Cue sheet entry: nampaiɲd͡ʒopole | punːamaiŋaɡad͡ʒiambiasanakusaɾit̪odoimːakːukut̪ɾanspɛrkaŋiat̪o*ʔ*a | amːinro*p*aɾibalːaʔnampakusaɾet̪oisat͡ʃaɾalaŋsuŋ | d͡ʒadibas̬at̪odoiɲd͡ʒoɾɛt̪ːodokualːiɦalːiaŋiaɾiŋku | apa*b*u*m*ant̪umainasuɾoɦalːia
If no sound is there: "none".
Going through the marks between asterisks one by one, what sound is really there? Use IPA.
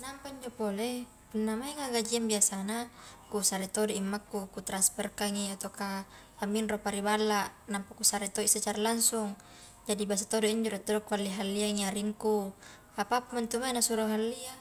k, p, p, m

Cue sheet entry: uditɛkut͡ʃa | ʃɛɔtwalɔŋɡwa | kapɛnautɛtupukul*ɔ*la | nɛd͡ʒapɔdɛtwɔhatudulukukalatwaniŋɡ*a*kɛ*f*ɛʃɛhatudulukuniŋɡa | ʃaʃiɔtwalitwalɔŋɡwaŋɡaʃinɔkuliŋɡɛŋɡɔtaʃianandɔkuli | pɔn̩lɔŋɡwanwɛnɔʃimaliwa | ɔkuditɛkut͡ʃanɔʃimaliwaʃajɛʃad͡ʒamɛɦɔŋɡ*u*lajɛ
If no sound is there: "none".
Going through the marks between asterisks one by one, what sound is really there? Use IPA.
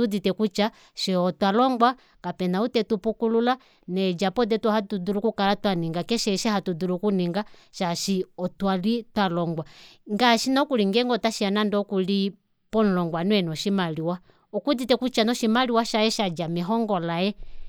u, a, ʃ, ɔ

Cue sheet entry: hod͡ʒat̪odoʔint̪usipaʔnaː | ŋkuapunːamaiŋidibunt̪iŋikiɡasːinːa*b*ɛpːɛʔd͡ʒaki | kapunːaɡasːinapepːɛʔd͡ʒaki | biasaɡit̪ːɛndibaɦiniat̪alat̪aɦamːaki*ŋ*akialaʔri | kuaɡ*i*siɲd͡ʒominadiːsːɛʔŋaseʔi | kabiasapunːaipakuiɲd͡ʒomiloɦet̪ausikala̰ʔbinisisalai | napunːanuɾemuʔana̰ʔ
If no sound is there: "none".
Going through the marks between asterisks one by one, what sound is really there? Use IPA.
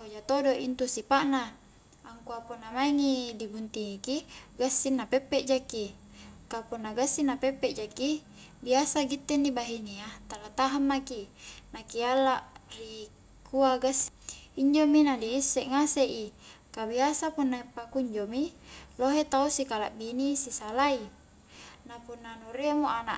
p, n, a

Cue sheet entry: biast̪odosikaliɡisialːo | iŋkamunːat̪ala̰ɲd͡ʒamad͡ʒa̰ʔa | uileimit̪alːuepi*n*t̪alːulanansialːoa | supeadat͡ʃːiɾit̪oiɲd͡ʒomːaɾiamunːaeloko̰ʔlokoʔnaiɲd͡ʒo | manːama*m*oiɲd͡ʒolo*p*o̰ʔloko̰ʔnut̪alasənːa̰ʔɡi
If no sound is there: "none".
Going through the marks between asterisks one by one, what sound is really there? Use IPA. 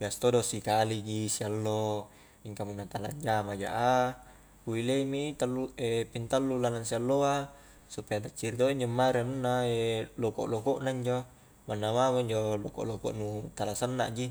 n, m, k

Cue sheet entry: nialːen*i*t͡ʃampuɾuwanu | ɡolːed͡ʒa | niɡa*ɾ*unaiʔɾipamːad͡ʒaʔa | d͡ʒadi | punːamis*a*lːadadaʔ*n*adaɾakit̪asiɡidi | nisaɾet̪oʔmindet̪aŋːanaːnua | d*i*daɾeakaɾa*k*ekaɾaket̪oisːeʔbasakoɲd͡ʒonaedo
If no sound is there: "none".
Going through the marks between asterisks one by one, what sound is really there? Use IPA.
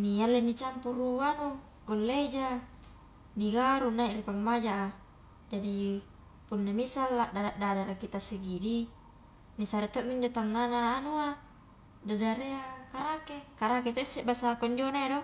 i, ɾ, a, d, a, k

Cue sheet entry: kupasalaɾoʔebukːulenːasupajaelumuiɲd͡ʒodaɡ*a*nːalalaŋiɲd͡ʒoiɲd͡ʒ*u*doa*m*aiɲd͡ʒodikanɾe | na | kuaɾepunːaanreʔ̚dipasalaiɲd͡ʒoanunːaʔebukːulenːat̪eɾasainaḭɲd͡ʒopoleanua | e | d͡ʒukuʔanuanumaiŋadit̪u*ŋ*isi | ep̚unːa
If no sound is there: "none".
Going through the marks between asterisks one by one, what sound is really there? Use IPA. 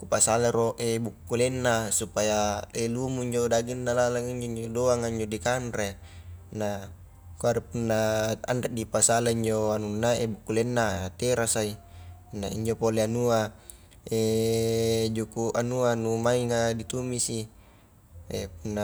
i, o, ŋ, m

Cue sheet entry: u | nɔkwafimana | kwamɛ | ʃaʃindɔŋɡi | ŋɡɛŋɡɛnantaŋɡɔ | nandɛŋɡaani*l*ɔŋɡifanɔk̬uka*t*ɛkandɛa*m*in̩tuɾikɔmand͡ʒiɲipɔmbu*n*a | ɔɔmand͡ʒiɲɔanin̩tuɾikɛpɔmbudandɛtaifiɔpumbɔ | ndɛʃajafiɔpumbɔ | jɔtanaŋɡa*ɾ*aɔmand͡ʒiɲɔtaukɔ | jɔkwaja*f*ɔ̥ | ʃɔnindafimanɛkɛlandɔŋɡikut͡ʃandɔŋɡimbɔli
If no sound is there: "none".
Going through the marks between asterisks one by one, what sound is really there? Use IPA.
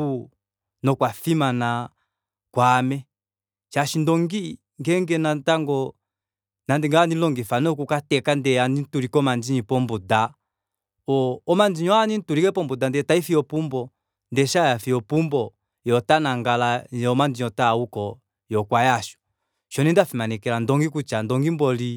l, t, n, d, l, ʃ

